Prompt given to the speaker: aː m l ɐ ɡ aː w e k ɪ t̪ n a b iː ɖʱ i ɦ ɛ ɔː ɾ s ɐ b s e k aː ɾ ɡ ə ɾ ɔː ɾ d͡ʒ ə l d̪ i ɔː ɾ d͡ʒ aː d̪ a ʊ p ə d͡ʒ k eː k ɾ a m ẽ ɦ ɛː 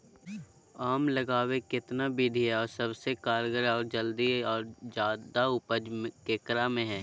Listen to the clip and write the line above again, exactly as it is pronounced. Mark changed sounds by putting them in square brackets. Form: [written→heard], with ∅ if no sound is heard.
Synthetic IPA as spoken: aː m l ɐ ɡ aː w e k ɪ t̪ n a b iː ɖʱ i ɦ ɛ ɔː ɾ s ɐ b s e k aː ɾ ɡ ə ɾ ɔː ɾ d͡ʒ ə l d̪ i ɔː ɾ d͡ʒ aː d̪ a ʊ p ə d͡ʒ k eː k ɾ a m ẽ ɦ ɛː